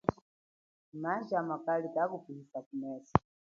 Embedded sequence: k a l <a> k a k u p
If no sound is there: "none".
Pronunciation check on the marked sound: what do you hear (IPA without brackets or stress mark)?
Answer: i